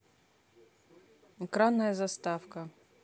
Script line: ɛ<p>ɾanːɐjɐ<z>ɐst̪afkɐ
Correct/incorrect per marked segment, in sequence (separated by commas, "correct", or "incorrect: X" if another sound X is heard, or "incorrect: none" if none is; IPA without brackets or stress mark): incorrect: k, correct